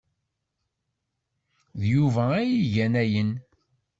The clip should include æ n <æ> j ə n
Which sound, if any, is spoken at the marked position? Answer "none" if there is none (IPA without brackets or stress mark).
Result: æ